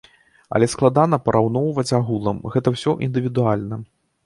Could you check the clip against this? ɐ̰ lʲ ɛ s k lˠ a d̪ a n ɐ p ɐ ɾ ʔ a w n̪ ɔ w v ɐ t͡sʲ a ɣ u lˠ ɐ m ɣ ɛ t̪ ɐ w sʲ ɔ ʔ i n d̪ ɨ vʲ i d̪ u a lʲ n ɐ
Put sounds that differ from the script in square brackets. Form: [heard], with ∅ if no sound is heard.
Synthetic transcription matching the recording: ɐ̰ lʲ ɛ s k lˠ a d̪ a n ɐ p ɐ ɾ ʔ a w n̪ ɔ w v ɐ t͡sʲ a ɣ u lˠ ɐ m ɣ ɛ t̪ ɐ w sʲ ɔ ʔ i n d̪ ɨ vʲ i d̪ u a lʲ n ɐ